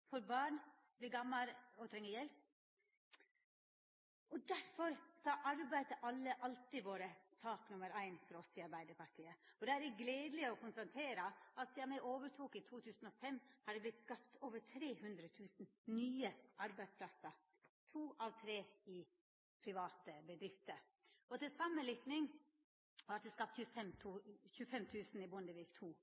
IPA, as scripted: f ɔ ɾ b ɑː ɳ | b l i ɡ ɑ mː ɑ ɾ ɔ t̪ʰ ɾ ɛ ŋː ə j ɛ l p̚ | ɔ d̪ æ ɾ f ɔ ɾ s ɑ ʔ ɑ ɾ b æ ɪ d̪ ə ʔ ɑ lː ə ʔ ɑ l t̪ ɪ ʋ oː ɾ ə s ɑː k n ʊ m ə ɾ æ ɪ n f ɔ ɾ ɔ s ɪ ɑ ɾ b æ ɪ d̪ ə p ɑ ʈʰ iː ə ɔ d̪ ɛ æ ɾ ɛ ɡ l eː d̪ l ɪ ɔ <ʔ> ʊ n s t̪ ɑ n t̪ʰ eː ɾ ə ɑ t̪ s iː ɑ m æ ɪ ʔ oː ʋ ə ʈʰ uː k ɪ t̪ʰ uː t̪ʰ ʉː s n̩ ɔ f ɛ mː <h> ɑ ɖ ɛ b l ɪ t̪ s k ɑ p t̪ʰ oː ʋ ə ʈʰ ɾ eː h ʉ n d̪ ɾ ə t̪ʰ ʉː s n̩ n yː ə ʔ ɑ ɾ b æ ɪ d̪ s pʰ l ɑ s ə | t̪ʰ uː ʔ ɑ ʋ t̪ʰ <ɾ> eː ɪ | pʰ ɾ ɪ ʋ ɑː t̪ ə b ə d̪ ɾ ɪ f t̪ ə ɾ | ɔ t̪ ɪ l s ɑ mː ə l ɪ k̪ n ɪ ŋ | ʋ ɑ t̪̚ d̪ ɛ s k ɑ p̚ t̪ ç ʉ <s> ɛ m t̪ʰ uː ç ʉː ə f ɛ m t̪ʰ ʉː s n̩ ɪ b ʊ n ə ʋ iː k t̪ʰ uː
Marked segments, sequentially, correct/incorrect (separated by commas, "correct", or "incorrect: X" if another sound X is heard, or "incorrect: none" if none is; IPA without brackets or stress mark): incorrect: k, correct, correct, incorrect: f